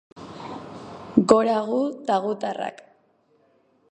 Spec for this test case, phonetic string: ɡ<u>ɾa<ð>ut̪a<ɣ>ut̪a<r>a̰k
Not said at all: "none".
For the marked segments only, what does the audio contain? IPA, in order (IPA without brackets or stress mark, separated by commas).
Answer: o, ɣ, ɣ, r